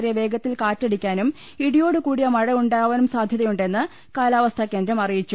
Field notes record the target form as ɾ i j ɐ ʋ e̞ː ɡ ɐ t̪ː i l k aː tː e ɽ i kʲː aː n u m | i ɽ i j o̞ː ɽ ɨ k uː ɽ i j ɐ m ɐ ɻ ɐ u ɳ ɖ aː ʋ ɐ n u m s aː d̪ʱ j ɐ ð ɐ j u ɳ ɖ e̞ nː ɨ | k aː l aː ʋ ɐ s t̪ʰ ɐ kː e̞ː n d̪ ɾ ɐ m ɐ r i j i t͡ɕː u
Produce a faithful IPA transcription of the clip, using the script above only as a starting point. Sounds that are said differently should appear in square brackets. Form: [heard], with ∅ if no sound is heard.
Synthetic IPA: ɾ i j ɐ ʋ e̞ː ɡ ɐ t̪ː i l k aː tː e ɽ i kʲː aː n u m | i ɽ i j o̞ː ɽ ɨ k uː ɽ i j ɐ m ɐ ɻ ɐ u ɳ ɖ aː ʋ ɐ n u m s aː d̪ʱ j ɐ ð ɐ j u ɳ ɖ e̞ nː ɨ | k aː l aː ʋ ɐ s t̪ʰ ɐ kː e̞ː n d̪ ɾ ɐ m ɐ r i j i t͡ɕː u